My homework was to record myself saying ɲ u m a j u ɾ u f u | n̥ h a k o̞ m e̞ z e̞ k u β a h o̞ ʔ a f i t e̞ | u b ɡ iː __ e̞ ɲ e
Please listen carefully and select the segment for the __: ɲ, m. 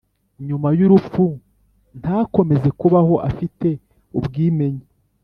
m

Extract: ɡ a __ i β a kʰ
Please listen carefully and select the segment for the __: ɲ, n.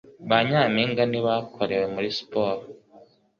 n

